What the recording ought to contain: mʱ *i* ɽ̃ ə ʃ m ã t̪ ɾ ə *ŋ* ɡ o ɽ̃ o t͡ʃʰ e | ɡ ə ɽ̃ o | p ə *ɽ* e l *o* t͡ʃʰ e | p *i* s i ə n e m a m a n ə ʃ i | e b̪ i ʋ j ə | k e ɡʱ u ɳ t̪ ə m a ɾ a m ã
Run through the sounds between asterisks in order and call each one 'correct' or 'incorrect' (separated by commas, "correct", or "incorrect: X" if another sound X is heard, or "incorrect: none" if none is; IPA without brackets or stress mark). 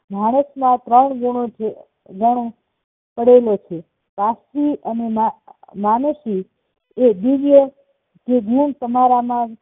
incorrect: a, incorrect: ɳ, correct, correct, incorrect: a